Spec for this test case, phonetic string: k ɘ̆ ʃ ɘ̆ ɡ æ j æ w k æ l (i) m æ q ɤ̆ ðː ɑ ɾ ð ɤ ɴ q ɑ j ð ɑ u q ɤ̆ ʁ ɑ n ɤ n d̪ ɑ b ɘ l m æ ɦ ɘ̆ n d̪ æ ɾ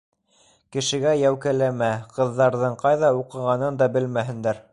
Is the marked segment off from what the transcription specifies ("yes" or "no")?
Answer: yes